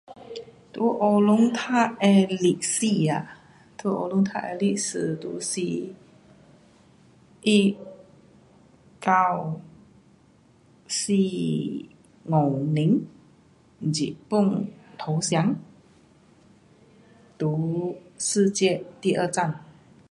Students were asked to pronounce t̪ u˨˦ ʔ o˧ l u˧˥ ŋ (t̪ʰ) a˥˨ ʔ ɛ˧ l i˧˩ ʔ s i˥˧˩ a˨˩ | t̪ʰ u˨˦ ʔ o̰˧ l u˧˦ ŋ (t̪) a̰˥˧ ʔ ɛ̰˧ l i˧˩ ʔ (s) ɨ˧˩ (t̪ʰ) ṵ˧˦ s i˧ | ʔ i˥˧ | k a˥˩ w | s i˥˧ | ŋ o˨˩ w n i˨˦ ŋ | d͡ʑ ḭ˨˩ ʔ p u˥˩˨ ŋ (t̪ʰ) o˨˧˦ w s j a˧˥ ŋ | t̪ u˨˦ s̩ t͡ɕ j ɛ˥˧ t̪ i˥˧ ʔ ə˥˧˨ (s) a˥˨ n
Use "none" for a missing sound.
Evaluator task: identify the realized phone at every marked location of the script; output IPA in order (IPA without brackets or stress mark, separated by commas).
t̪ʰ, t̪ʰ, s, t̪, t̪ʰ, t͡s